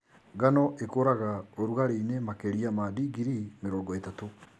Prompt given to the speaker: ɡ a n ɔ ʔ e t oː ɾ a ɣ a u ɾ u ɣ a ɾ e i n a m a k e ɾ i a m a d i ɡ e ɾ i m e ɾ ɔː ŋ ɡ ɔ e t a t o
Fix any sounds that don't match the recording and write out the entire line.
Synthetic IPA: ɡ a n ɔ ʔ e k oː ɾ a ɣ a o ɾ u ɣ a ɾ e i n e m a k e ɾ i a m a d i ɡ i ɾ i m e ɾ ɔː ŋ ɡ ɔ e t a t o

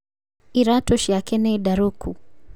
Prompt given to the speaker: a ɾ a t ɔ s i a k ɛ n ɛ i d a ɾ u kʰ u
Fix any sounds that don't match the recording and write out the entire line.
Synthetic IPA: i ɾ a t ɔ ʃ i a k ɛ n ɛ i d a ɾ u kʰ u

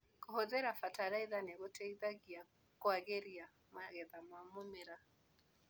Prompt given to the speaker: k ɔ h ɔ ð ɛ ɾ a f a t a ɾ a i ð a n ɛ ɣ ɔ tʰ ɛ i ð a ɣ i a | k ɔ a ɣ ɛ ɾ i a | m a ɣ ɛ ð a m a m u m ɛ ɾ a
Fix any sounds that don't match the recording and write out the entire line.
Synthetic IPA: k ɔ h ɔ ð ɛ ɾ a f a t a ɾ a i ð a n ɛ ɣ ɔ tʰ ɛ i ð a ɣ i a | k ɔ a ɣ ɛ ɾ i a | m a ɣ ɛ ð a m a m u m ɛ ɾ a

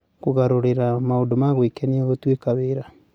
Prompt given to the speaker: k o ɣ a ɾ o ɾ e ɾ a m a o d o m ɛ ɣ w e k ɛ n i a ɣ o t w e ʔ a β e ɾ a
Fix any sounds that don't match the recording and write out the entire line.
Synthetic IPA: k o ɣ a ɾ o ɾ e ɾ a m a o d o m a ɣ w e k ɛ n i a ɣ o t w e k a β e ɾ a

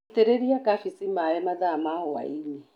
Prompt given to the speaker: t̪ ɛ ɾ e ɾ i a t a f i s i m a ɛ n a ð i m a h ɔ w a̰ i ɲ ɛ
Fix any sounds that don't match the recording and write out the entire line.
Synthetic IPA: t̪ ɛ ɾ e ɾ i a k a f i s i m a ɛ m a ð a m a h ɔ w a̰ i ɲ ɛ

